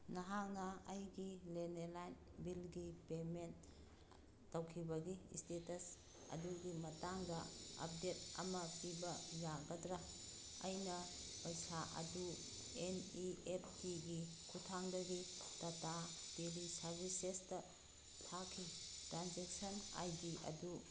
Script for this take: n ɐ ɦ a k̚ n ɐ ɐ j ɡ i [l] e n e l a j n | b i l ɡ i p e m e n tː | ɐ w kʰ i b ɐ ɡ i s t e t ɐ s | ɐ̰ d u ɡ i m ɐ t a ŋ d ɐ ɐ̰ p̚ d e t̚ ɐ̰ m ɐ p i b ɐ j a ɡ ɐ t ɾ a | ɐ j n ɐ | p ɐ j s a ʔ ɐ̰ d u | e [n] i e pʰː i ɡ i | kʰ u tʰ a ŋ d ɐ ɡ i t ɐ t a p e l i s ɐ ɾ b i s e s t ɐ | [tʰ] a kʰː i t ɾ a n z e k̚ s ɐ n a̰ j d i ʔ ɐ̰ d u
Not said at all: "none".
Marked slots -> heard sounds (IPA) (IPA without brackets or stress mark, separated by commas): l, n, tʰ